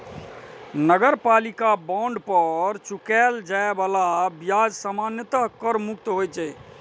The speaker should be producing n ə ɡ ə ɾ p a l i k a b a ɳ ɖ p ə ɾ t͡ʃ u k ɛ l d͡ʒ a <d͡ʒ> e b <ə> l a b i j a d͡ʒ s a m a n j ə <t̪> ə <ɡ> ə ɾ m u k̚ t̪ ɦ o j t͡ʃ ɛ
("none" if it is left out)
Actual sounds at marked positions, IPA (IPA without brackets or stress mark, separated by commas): none, a, t̪, k